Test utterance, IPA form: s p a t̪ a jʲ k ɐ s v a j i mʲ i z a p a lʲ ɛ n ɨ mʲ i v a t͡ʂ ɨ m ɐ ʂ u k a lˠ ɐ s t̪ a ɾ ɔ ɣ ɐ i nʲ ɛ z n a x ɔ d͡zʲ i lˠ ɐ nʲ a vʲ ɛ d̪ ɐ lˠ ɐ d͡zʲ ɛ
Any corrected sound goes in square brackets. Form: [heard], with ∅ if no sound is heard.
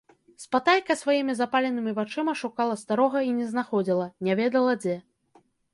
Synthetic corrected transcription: s p a t̪ a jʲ k ɐ s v a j i mʲ i z a p a lʲ ɛ n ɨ mʲ i v a t͡ʂ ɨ m ɐ ʂ u k a lˠ ɐ s t̪ a ɾ ɔ ɣ ɐ i nʲ ɛ z n a x ɔ d͡zʲ i lˠ ɐ nʲ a vʲ ɛ d̪ ɐ lˠ ɐ d͡zʲ ɛ